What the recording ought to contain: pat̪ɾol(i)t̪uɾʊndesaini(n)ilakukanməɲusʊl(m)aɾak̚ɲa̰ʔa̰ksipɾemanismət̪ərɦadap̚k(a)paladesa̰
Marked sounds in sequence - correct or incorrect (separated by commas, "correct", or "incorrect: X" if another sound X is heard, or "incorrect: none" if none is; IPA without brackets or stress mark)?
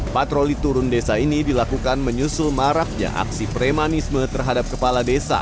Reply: correct, incorrect: d, correct, incorrect: ə